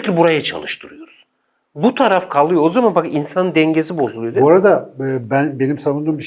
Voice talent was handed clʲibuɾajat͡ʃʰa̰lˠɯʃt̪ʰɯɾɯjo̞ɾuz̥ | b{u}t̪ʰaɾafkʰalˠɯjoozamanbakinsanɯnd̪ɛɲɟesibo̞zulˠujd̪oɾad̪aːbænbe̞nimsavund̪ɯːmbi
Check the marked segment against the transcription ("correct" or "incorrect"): correct